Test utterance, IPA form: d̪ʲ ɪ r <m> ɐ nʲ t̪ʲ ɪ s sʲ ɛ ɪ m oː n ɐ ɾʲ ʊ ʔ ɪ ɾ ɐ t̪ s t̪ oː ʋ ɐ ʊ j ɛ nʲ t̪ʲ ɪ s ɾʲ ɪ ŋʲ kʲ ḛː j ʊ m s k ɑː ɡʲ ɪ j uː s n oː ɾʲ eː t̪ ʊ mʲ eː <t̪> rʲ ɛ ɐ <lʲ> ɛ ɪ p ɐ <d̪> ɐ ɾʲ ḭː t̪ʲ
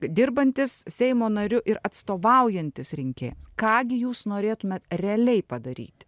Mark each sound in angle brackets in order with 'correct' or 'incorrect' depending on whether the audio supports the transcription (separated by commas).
incorrect, correct, correct, correct